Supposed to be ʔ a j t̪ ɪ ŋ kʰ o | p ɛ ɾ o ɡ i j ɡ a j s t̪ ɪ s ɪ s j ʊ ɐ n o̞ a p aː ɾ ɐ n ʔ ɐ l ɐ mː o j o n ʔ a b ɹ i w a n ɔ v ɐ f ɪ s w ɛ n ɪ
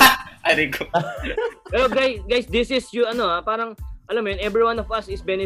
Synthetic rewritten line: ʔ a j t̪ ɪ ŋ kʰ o | p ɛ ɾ o ɡ a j ɡ a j s d̪ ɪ s ɪ s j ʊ ɐ n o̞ a p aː ɾ ɐ ŋ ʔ ɐ l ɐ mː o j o n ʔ ɛ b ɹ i w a n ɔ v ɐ s ɪ s b ɛ n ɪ